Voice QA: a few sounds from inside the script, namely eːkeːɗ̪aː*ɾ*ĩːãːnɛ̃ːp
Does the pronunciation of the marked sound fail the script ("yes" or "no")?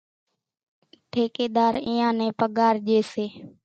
no